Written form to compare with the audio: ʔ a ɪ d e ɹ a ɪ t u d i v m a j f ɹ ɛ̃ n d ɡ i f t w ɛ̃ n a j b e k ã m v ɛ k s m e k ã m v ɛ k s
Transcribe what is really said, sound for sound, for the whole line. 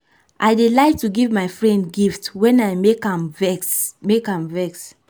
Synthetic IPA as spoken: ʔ a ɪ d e l a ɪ t u ɡ i v m a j f ɹ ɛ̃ n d ɡ i f t w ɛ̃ n a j m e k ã m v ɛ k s m e k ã m v ɛ k s